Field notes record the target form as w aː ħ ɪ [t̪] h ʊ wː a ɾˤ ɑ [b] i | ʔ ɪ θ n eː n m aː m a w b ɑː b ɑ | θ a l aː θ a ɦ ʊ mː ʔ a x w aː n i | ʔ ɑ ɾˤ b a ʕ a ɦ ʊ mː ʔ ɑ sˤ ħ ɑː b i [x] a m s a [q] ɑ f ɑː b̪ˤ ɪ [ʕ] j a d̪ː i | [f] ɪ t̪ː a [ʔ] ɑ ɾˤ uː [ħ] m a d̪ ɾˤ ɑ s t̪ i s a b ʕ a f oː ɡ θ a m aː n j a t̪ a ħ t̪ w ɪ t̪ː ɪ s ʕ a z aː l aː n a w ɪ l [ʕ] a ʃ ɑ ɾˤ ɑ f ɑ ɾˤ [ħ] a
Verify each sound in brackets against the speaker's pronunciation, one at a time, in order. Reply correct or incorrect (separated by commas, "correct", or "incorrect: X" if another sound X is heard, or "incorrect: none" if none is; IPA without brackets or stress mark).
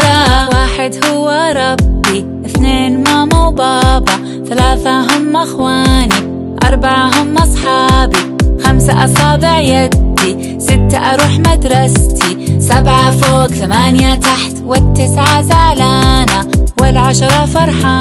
incorrect: d̪, incorrect: bː, correct, incorrect: ʔ, correct, incorrect: s, correct, correct, correct, correct